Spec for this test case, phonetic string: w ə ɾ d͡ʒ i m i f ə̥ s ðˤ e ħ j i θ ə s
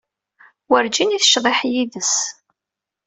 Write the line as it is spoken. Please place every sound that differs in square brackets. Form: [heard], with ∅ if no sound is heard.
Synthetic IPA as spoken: w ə ɾ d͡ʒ i [n] i [θ] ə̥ [ʃ] ðˤ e ħ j i [ð] ə s